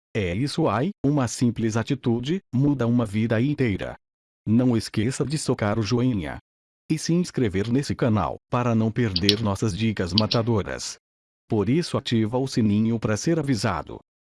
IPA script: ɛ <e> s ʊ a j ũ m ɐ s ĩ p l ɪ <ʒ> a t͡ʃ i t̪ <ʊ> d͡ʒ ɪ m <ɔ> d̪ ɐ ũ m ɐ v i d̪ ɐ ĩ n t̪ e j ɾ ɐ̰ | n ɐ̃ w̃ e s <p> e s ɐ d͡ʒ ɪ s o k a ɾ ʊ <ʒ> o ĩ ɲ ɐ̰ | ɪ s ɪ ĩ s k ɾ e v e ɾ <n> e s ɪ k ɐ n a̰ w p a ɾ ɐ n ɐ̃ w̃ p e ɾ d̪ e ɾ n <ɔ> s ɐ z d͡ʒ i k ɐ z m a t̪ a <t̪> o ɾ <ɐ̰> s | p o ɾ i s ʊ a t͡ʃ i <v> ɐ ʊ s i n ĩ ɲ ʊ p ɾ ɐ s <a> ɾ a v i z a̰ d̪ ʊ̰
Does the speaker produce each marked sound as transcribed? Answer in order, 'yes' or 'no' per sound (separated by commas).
no, no, no, no, no, yes, yes, yes, no, yes, yes, no